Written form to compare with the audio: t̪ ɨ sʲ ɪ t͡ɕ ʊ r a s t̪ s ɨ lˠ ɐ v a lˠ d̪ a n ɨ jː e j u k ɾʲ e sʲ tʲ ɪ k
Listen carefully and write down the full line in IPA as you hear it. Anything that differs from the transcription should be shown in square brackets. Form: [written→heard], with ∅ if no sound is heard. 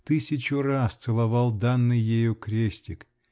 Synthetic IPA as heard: t̪ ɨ sʲ ɪ t͡ɕ ʊ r a s t̪ s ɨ lˠ ɐ v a lˠ d̪ a [n→nː] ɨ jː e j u k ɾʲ e sʲ tʲ ɪ k